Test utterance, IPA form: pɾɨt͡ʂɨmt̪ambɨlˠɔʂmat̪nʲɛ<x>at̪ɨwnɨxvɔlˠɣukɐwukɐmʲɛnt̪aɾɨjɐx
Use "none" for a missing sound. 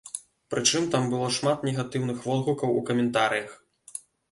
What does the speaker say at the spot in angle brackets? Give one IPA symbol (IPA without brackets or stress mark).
ɣ